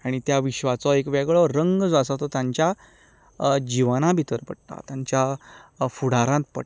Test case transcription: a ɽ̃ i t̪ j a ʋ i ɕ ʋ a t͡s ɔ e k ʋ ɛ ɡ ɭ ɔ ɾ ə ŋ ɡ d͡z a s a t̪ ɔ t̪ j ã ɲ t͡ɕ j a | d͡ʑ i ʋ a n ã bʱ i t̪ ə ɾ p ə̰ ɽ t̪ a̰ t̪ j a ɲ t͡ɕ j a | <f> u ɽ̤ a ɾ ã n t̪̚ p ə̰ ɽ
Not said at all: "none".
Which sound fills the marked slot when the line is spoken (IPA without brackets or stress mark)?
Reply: f